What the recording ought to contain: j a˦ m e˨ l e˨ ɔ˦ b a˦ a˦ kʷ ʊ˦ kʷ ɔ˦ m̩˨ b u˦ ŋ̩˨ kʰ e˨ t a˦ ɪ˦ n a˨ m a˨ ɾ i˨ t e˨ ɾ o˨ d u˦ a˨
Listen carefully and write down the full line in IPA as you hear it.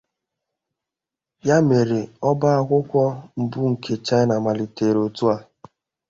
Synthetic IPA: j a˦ m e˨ ɾ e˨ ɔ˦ b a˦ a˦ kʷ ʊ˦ kʷ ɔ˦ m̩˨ b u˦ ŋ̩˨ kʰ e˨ t͡ʃ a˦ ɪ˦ n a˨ m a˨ l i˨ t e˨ ɾ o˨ t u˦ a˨